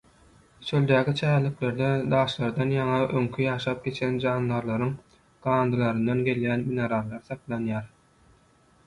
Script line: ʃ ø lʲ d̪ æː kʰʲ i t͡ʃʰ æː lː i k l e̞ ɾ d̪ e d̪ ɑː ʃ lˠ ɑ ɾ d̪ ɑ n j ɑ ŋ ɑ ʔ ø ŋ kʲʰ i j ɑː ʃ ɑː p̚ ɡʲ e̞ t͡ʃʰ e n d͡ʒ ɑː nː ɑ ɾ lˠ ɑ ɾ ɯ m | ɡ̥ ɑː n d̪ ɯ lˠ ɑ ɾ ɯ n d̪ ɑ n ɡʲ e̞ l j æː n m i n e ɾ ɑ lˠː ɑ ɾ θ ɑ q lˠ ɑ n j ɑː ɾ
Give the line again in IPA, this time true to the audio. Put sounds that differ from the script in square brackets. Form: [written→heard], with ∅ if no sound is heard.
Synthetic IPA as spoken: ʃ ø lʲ d̪ æː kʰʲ i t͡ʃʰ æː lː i k l e̞ ɾ d̪ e d̪ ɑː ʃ lˠ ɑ ɾ d̪ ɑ n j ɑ ŋ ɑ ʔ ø ŋ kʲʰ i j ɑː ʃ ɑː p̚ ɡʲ e̞ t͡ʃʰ e n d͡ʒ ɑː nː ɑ ɾ lˠ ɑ ɾ ɯ [m→ŋ] | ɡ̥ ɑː n d̪ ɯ lˠ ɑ ɾ ɯ n d̪ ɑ n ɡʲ e̞ l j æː n m i n e ɾ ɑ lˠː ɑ ɾ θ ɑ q lˠ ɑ n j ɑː ɾ